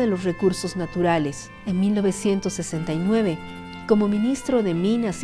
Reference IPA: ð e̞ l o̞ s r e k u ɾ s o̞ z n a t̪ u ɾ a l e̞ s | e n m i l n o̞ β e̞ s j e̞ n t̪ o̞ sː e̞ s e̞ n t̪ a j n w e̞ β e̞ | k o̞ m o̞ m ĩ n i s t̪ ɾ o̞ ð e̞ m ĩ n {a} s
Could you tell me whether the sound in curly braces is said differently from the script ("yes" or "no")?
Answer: no